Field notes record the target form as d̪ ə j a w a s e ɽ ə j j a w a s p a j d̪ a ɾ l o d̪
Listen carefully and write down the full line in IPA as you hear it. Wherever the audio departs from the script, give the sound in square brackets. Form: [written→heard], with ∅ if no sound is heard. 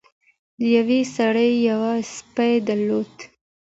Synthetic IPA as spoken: d̪ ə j a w [a→e] s [e→a] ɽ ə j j a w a s p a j d̪ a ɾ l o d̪